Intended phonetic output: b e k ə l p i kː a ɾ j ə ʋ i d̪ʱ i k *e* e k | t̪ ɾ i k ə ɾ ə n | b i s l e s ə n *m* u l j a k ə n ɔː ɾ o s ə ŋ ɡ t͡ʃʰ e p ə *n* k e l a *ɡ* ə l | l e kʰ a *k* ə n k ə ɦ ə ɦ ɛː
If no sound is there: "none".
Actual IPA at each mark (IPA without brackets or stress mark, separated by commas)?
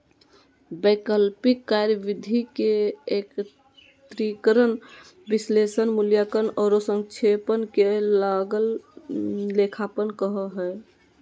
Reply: e, m, n, ɡ, p